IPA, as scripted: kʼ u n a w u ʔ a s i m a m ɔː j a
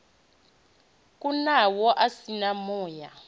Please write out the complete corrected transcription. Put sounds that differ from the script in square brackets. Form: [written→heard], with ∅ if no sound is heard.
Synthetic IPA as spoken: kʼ u n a w [u→ɔ] ʔ a s i [m→n] a m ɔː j a